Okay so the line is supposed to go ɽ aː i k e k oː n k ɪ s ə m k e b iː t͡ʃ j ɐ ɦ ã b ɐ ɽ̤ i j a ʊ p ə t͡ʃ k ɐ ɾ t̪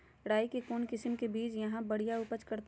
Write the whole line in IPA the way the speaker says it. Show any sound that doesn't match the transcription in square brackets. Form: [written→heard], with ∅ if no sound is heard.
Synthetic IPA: ɽ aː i k e k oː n k ɪ s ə m k e b iː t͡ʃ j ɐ ɦ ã b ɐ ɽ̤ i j a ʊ p ə t͡ʃ k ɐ ɾ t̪